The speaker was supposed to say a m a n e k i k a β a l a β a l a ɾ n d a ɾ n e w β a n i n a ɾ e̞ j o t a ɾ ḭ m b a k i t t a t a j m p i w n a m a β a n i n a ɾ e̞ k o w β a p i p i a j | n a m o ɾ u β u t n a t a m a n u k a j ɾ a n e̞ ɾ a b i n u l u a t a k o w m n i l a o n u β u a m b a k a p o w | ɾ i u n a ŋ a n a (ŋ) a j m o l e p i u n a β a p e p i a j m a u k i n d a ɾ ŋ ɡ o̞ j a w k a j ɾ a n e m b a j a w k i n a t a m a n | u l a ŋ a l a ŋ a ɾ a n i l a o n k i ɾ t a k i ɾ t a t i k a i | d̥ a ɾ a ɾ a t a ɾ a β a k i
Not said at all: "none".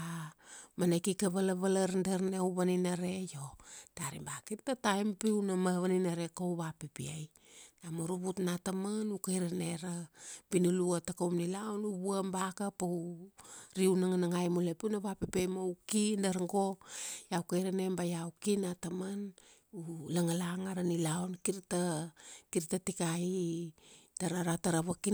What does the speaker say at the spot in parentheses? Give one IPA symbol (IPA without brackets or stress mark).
ŋ